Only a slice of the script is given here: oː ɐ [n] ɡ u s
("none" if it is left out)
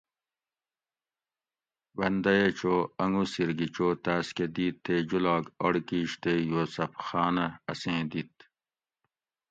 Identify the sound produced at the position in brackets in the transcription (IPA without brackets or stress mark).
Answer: ŋ